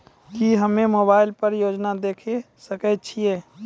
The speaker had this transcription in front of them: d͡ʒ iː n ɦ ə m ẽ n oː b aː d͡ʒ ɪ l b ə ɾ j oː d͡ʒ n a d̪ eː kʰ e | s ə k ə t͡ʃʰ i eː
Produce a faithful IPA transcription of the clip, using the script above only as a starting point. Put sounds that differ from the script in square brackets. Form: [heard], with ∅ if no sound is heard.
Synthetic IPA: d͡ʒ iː [∅] ɦ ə m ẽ [m] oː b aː [∅] ɪ l [p] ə ɾ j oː d͡ʒ n a d̪ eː kʰ e | s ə k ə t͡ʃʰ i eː